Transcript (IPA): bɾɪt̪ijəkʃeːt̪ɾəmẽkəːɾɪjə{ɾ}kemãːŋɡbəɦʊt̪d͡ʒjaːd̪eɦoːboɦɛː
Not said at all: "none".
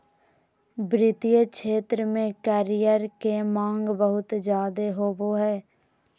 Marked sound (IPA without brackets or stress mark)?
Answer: ɾ